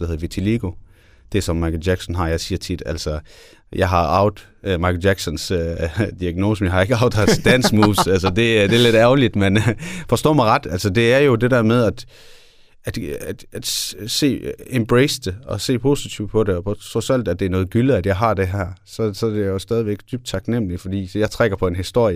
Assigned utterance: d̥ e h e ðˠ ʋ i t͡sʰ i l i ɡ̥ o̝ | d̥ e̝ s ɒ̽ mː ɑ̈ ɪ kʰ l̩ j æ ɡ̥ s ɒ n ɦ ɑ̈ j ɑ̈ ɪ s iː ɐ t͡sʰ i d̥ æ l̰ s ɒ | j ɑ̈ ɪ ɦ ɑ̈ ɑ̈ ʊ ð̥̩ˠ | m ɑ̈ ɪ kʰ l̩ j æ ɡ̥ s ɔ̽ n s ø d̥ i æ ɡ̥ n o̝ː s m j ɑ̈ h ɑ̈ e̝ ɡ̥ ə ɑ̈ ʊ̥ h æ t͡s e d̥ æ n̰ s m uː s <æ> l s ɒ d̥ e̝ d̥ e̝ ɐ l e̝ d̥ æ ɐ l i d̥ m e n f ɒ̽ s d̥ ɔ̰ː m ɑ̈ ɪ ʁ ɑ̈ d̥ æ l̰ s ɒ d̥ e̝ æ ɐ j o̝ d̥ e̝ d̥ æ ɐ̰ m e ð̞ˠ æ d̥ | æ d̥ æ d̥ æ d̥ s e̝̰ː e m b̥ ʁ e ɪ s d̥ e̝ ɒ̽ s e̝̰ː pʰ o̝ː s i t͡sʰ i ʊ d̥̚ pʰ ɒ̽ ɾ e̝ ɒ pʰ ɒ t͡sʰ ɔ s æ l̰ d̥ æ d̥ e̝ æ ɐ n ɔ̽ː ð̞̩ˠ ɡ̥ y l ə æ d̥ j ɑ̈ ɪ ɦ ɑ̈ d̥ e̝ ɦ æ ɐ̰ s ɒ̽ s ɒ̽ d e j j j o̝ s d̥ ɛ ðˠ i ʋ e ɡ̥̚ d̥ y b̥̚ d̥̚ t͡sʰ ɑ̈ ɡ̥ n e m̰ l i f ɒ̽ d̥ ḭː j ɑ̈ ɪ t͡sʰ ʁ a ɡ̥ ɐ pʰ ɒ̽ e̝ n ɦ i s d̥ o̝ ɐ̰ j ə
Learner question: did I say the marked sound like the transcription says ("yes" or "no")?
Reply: yes